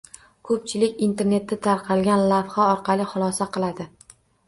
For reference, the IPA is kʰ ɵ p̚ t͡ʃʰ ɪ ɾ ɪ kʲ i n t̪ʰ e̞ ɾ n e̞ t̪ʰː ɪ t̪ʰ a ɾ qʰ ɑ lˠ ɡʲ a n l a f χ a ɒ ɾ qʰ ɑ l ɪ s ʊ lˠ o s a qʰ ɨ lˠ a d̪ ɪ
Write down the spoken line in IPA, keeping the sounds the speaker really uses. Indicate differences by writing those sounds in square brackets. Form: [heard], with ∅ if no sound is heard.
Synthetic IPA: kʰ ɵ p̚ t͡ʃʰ ɪ [l] ɪ kʲ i n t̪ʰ e̞ ɾ n e̞ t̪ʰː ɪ t̪ʰ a ɾ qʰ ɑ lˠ ɡʲ a n l a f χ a ɒ ɾ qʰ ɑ l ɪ [χ] ʊ lˠ [ɒ] s a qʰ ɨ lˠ a d̪ ɪ